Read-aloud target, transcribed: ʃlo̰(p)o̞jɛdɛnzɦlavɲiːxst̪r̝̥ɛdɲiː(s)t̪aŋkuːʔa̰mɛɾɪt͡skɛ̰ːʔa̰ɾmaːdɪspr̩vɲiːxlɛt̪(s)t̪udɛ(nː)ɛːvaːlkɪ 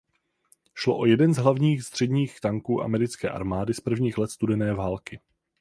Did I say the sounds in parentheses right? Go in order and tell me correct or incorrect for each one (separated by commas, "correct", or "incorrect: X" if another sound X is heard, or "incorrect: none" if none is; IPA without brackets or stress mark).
incorrect: ʔ, incorrect: x, correct, incorrect: n